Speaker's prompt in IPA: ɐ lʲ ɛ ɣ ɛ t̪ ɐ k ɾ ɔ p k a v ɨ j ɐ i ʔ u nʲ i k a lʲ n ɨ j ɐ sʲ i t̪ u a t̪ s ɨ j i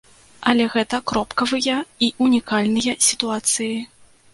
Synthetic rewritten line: ɐ lʲ ɛ ɣ ɛ t̪ ɐ k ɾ ɔ p k ɐ v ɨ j ɐ i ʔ u nʲ i k a lʲ n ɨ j ɐ sʲ i t̪ u a t̪ s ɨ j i